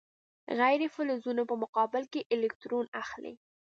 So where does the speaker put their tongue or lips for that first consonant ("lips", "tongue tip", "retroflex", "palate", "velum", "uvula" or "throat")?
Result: velum